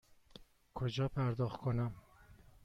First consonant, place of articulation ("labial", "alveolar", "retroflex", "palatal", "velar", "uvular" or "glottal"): velar